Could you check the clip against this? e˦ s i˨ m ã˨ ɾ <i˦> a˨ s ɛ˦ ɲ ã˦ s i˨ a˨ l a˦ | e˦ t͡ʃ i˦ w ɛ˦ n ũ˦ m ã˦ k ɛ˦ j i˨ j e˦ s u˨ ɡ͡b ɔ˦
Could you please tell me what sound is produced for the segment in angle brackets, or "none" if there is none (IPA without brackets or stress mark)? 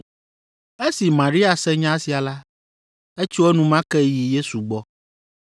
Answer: i˦